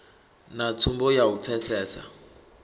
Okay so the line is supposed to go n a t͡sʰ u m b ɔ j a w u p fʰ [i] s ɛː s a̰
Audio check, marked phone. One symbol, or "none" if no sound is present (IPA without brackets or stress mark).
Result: ɛ